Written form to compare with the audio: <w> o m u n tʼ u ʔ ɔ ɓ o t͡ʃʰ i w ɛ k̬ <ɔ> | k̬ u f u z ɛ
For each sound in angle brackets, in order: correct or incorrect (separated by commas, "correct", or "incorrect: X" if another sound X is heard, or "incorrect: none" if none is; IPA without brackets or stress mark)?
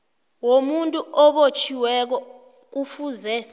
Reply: correct, correct